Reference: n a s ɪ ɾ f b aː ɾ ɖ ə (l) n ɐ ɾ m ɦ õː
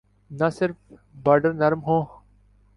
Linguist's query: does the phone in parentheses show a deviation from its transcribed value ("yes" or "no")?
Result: yes